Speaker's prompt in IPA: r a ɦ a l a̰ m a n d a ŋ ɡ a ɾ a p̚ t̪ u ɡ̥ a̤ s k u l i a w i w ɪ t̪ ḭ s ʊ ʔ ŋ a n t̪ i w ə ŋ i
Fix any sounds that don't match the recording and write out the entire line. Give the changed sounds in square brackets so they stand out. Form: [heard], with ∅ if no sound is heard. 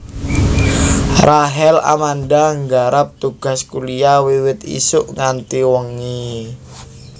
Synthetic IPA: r a ɦ [ɛ] l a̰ m a n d a ŋ ɡ a ɾ a p̚ t̪ u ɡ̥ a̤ s k u l i a w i w ɪ t̪ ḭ s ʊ ʔ ŋ a n t̪ i w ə ŋ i